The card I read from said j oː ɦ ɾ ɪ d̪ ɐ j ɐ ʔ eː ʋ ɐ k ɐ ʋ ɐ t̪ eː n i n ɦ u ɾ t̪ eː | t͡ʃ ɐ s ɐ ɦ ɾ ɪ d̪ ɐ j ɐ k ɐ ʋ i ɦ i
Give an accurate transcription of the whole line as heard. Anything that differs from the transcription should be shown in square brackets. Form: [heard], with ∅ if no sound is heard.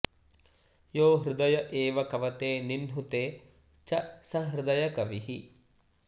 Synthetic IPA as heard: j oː ɦ ɾ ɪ d̪ ɐ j ɐ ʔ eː ʋ ɐ k ɐ ʋ ɐ t̪ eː n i n ɦ u [∅] t̪ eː | t͡ʃ ɐ s ɐ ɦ ɾ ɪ d̪ ɐ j ɐ k ɐ ʋ i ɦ i